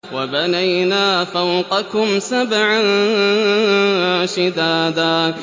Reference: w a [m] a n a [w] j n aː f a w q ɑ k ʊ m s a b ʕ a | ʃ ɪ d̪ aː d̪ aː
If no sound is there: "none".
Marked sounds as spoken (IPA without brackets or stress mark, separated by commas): b, none